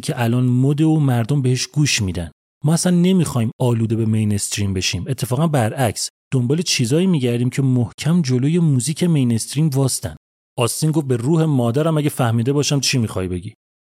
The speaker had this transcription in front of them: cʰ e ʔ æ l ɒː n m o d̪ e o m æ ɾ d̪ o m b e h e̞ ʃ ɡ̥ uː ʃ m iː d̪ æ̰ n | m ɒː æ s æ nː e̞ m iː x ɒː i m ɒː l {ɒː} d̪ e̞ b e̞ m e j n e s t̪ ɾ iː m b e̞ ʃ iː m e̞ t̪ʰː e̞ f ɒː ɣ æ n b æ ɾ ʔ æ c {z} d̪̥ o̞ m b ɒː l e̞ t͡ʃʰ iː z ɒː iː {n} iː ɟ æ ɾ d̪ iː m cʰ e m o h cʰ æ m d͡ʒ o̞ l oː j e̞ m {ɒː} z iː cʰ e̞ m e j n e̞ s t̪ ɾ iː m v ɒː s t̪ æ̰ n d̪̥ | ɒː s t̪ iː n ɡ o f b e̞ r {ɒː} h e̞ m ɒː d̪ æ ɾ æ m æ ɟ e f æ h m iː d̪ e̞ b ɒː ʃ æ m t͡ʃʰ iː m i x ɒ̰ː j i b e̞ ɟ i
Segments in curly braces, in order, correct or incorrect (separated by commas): incorrect, incorrect, incorrect, incorrect, incorrect